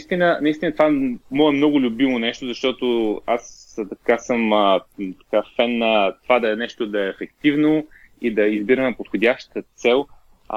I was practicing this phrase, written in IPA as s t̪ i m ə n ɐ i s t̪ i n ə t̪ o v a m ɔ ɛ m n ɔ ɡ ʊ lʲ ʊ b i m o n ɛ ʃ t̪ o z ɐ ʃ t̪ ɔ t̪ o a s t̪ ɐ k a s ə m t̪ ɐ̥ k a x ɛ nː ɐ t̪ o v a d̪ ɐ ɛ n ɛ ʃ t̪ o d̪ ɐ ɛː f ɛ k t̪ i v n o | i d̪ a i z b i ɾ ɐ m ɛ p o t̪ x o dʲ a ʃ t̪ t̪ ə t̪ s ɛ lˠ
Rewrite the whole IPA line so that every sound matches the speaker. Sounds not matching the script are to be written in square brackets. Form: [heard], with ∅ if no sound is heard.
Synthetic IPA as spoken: s t̪ i [n] ə n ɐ i s t̪ i n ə t̪ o v a m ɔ ɛ m n ɔ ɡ ʊ lʲ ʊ b i m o n ɛ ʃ t̪ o z ɐ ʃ t̪ ɔ t̪ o a s t̪ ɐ k a s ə m t̪ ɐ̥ k a [f] ɛ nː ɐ t̪ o v a d̪ ɐ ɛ n ɛ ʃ t̪ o d̪ ɐ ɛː f ɛ k t̪ i v n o | i d̪ [ɐ] i z b i ɾ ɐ m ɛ p o t̪ x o dʲ a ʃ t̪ t̪ ə t̪ s ɛ lˠ